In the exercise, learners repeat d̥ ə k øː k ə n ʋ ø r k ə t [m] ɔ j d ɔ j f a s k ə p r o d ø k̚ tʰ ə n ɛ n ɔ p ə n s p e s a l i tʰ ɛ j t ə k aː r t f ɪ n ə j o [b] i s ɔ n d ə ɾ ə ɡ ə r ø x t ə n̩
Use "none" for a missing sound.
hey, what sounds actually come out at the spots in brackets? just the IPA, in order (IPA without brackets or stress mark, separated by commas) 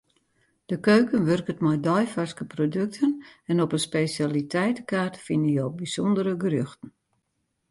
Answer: m, b